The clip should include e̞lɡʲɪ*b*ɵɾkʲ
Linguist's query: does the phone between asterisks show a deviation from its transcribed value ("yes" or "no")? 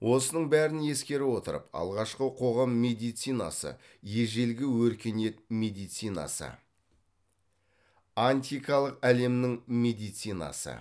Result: yes